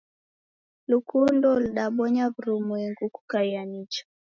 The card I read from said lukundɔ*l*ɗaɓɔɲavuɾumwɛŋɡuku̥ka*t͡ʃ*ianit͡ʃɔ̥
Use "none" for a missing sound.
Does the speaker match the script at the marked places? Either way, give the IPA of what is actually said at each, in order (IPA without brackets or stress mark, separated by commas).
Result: l, none